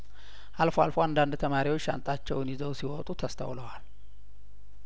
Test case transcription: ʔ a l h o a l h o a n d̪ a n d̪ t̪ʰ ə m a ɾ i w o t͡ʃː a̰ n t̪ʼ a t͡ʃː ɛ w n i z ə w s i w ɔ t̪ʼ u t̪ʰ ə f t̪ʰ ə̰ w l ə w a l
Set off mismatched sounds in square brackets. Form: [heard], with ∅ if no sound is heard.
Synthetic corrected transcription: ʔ a l [f] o a l [f] o a n d̪ a n d̪ t̪ʰ ə m a ɾ i w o t͡ʃː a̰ n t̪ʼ a t͡ʃː ɛ w n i z ə w s i w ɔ t̪ʼ u t̪ʰ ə [s] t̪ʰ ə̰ w l ə w a l